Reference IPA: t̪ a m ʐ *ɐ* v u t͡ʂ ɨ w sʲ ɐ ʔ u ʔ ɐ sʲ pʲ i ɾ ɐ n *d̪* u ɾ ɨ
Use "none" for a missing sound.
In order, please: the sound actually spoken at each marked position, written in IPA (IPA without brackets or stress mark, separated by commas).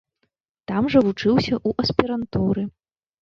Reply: ɐ, t̪